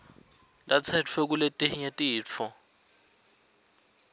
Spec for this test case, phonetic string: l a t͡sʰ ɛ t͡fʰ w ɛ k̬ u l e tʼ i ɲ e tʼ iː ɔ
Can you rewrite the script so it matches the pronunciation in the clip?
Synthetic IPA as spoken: l a t͡sʰ ɛ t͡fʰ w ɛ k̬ u l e tʼ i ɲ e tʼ iː ɔ